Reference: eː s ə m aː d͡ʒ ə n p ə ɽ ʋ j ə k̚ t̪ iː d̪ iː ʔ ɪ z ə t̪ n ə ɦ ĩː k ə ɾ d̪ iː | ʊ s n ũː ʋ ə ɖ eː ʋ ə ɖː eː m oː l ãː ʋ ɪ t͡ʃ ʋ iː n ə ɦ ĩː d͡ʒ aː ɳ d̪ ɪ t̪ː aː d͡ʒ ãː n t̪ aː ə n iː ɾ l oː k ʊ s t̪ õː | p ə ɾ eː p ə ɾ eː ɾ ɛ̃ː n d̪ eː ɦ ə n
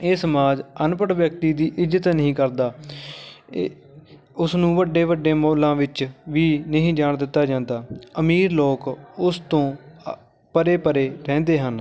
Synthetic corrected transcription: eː s ə m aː d͡ʒ ə n p ə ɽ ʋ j ə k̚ t̪ iː d̪ iː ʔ ɪ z ə t̪ n ə ɦ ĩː k ə ɾ d̪ aː | ʊ s n ũː ʋ ə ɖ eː ʋ ə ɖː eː m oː l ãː ʋ ɪ t͡ʃ ʋ iː n ə ɦ ĩː d͡ʒ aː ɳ d̪ ɪ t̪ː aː d͡ʒ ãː n d̪ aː ə m iː ɾ l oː k ʊ s t̪ õː | p ə ɾ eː p ə ɾ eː ɾ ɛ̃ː n d̪ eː ɦ ə n